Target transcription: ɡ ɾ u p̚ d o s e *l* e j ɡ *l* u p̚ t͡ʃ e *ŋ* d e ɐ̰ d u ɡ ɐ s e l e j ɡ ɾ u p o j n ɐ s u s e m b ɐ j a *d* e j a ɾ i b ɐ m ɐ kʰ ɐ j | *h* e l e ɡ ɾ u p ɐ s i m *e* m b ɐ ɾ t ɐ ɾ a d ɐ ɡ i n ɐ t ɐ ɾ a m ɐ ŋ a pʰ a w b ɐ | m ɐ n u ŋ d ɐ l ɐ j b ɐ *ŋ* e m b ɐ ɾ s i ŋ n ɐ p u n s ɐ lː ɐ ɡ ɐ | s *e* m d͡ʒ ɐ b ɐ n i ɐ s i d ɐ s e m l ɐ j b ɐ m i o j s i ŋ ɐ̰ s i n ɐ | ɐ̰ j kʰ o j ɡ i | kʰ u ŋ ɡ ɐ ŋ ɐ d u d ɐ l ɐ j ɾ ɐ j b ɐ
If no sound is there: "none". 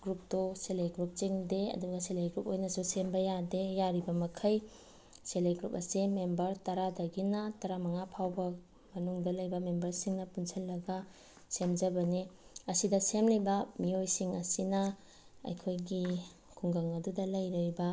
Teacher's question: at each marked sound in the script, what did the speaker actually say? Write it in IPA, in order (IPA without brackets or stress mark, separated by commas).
l, ɾ, ŋ, d, s, e, m, e